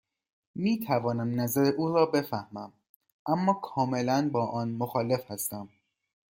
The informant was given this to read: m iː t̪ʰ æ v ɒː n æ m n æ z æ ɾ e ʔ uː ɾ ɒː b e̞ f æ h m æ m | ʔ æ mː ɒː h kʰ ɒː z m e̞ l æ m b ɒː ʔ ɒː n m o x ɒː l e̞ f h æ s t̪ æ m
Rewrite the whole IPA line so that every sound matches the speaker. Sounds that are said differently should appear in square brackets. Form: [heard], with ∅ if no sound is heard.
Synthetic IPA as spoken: m iː t̪ʰ æ v ɒː n æ m n æ z æ ɾ e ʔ uː ɾ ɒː b e̞ f æ h m æ m | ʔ æ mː ɒː [∅] kʰ ɒː [∅] m e̞ l æ [n] b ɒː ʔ ɒː n m o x ɒː l e̞ f h æ s t̪ æ m